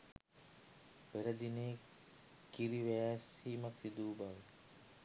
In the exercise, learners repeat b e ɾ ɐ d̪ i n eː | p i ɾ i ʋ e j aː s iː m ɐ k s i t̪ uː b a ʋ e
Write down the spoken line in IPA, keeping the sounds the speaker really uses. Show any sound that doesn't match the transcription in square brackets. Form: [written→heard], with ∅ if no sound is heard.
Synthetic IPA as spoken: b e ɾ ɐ d̪ i n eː | [p→k] i ɾ i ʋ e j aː s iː m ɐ k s i [t̪→d̪] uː b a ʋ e